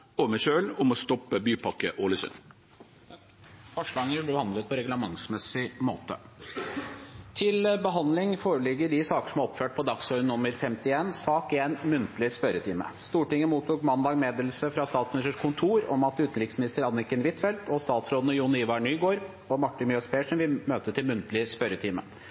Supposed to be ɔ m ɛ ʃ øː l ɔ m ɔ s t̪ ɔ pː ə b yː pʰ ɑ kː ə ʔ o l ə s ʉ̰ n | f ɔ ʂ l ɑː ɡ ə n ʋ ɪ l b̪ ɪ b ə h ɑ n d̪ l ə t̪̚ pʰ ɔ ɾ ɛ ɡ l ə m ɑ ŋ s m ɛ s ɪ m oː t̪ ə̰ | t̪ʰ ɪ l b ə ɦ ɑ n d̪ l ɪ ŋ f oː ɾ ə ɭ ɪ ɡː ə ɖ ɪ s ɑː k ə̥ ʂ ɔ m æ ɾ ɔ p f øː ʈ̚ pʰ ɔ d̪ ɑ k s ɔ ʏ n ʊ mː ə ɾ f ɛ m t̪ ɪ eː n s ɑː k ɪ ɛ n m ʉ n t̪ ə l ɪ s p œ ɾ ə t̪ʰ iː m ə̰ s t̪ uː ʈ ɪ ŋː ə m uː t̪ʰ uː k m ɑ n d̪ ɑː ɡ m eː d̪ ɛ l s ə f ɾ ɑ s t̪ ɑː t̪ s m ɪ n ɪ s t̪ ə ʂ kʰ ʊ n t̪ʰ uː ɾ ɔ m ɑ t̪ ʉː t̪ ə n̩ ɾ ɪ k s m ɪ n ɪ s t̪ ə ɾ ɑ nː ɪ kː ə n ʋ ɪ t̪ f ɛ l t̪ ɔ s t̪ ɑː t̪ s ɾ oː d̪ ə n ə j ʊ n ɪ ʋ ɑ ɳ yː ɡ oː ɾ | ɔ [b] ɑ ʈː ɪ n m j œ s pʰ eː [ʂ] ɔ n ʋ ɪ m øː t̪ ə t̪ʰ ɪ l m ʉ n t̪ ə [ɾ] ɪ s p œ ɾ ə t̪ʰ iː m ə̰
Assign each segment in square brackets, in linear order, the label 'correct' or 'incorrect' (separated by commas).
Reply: incorrect, correct, incorrect